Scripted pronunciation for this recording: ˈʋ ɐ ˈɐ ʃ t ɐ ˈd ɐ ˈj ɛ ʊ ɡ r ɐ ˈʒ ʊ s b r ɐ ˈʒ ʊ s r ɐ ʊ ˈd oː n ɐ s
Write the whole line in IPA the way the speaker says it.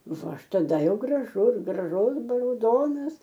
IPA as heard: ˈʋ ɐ ˈɐ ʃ t ɐ ˈd ɐ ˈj ɛ ʊ ɡ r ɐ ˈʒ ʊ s ɡ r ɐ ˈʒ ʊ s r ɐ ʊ ˈd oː n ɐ s